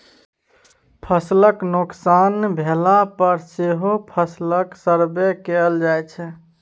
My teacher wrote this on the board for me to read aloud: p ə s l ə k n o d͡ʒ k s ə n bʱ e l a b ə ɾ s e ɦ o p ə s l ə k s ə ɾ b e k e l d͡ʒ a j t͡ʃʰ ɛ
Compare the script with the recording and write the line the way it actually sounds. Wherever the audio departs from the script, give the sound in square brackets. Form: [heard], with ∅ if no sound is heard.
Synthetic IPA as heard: [pʰ] ə s l ə k n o [∅] k s [a] n bʱ e l a [p] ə ɾ s e ɦ o [pʰ] ə s l ə k s ə ɾ b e k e l d͡ʒ a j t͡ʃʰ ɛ